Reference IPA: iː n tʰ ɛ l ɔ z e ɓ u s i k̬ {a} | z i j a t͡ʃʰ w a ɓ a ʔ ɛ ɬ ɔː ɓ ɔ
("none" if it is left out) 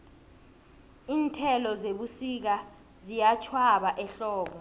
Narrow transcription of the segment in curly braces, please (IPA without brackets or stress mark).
a